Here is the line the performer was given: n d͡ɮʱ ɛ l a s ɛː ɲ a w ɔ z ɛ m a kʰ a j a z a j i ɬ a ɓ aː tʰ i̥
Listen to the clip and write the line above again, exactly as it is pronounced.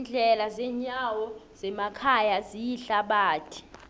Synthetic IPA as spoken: n d͡ɮʱ ɛ l a z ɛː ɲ a w ɔ z ɛ m a kʰ a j a z i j i ɬ a ɓ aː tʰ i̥